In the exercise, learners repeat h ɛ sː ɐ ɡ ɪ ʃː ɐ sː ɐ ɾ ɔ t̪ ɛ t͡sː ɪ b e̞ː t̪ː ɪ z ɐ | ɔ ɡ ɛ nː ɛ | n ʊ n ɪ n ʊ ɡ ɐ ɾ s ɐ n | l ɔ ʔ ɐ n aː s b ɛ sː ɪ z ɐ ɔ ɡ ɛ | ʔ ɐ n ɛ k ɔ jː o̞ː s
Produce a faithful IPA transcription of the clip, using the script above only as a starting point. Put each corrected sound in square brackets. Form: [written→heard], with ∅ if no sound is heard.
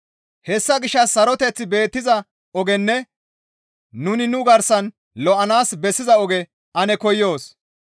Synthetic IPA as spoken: h ɛ sː ɐ ɡ ɪ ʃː ɐ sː ɐ ɾ ɔ t̪ ɛ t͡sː ɪ b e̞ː t̪ː ɪ z ɐ | ɔ ɡ ɛ nː ɛ | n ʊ n ɪ n ʊ ɡ ɐ ɾ s ɐ n | l ɔ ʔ ɐ n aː s b ɛ sː ɪ z ɐ ɔ ɡ ɛ | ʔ ɐ n ɛ k ɔ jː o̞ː s

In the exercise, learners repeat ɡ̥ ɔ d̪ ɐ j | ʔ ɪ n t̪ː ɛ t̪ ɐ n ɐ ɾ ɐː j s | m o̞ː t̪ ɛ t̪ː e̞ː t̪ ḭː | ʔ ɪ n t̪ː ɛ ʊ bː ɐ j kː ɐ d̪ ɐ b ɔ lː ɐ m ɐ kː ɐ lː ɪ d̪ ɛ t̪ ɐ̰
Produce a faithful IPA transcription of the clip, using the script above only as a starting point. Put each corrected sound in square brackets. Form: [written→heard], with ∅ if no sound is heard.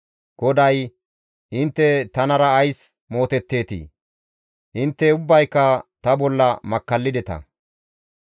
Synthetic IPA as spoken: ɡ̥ ɔ d̪ ɐ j | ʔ ɪ n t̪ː ɛ t̪ ɐ n ɐ ɾ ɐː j s | m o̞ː t̪ ɛ t̪ː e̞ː t̪ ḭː | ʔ ɪ n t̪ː ɛ ʊ bː ɐ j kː ɐ [d̪→t̪] ɐ b ɔ lː ɐ m ɐ kː ɐ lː ɪ d̪ ɛ t̪ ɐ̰

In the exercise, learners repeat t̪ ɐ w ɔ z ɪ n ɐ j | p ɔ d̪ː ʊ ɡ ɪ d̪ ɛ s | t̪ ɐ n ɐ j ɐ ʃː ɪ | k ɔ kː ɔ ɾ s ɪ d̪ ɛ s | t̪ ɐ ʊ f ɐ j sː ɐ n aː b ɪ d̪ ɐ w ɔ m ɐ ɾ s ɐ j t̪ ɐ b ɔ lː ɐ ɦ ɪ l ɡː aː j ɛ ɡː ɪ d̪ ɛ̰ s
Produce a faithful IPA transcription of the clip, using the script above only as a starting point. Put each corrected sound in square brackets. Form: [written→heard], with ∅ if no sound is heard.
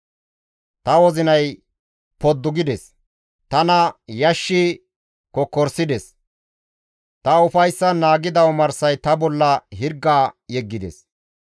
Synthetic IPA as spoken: t̪ ɐ w ɔ z ɪ n ɐ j | p ɔ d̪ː ʊ ɡ ɪ d̪ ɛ s | t̪ ɐ n ɐ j ɐ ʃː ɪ | k ɔ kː ɔ ɾ s ɪ d̪ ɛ s | t̪ ɐ ʊ f ɐ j sː ɐ n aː [b→ɡ] ɪ d̪ ɐ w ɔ m ɐ ɾ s ɐ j t̪ ɐ b ɔ lː ɐ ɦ ɪ [l→ɾ] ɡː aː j ɛ ɡː ɪ d̪ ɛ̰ s

